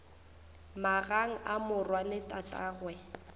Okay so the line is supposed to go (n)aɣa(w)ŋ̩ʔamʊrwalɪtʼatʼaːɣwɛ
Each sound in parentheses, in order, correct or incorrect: incorrect: m, incorrect: none

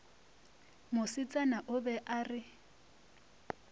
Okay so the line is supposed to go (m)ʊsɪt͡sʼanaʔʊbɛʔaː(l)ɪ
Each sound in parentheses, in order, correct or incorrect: correct, incorrect: r

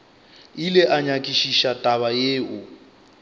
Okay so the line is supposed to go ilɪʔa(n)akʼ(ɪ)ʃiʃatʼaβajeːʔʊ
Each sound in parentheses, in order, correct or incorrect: incorrect: ɲ, incorrect: i

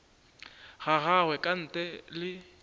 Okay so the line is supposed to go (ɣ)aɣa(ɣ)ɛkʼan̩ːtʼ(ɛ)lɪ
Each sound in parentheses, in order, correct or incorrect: correct, incorrect: w, correct

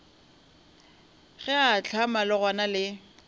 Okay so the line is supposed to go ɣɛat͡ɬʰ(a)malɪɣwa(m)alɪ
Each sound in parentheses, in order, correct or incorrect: correct, incorrect: n

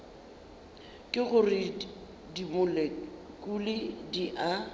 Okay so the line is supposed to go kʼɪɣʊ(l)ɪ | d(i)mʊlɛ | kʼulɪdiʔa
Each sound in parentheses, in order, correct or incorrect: incorrect: r, correct

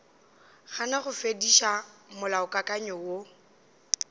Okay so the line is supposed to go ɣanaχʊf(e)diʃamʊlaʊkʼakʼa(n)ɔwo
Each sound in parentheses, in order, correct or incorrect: correct, incorrect: ɲ

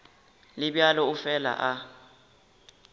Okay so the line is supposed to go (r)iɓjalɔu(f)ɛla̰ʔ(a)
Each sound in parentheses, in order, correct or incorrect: incorrect: l, correct, correct

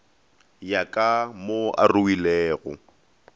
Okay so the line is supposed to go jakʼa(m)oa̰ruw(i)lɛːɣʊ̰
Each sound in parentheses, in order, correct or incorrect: correct, correct

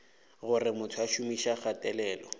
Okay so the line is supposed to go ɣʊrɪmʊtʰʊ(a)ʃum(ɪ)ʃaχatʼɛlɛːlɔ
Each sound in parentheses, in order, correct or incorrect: correct, incorrect: i

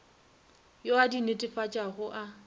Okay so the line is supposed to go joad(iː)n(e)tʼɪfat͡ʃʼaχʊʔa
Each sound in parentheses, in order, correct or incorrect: incorrect: i, correct

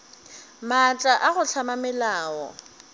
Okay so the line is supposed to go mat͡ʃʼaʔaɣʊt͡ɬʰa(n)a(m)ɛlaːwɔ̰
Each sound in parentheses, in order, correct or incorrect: incorrect: m, correct

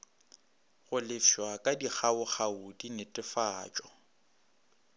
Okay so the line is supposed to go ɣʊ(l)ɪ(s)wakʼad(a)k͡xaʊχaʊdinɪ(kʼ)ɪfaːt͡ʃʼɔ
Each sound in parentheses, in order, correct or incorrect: correct, incorrect: f, incorrect: i, incorrect: tʼ

